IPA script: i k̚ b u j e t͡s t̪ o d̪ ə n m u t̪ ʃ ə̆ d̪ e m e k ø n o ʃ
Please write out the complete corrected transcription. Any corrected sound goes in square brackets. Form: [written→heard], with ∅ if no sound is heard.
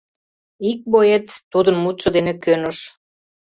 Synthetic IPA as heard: i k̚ b [u→o] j e t͡s t̪ [o→u] d̪ ə n m u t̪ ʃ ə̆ d̪ e [m→n] e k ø n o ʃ